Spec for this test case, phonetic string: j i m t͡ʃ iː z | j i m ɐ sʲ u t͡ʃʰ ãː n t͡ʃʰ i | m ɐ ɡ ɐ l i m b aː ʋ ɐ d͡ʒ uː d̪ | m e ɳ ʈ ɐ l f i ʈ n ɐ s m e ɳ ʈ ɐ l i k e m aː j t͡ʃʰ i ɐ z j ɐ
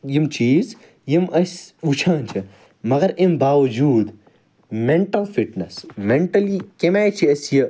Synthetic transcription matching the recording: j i m t͡ʃ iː z | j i m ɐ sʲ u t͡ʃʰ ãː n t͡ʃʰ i | m ɐ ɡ ɐ ɾ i m b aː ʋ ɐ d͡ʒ uː d̪ | m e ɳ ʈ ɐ l f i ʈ n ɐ s m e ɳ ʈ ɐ l i k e m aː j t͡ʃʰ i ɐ s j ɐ